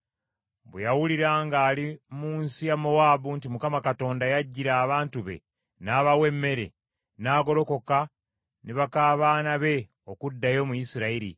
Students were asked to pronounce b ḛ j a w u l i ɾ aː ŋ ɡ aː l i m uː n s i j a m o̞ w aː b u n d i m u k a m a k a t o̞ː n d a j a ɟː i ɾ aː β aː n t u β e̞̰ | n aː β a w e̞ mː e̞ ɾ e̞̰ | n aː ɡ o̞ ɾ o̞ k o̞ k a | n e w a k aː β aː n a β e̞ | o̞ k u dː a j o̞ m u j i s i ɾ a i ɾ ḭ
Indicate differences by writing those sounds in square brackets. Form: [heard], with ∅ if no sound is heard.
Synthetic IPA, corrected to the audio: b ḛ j a w u l i ɾ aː ŋ ɡ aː l i m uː n s i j a m o̞ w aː b u n [t] i m u k a m a k a t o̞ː n d a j a ɟː i ɾ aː β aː n t u β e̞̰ | n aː β a w e̞ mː e̞ ɾ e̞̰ | n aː ɡ o̞ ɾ o̞ k o̞ k a | n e [β] a k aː β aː n a β e̞ | o̞ k u dː a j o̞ m u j i s i ɾ a i ɾ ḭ

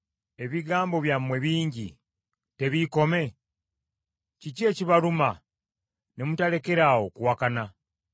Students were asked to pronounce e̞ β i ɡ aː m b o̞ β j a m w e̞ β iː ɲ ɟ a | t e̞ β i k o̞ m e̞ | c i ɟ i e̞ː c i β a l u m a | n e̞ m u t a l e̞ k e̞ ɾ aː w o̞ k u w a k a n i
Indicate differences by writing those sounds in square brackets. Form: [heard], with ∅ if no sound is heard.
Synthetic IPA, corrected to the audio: e̞ β i ɡ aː m b o̞ β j a m w e̞ β iː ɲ ɟ [i] | t e̞ β i k o̞ m e̞ | c i [c] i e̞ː c i β a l u m a | n e̞ m u t a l e̞ k e̞ ɾ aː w o̞ k u w a k a n [a]

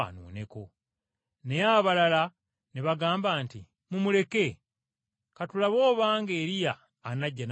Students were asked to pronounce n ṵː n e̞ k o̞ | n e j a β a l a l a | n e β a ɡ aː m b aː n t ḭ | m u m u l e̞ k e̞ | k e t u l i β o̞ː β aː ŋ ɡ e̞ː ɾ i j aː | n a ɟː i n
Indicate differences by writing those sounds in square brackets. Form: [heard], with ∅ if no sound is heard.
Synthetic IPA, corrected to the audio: n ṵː n e̞ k o̞ | n e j a β a l a l a | n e β a ɡ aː m b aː n t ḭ | m u m u l e̞ k e̞ | k [a] t u l [a] β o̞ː β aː ŋ ɡ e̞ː ɾ i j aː | n a ɟː [a] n

